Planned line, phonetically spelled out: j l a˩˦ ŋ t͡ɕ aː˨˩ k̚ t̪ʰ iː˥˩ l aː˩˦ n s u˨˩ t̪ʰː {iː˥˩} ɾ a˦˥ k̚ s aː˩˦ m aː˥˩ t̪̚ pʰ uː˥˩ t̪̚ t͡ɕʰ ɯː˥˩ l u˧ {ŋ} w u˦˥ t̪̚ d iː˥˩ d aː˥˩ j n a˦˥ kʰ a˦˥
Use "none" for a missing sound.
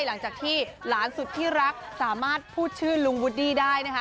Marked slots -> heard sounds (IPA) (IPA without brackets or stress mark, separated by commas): iː˥˩, ŋ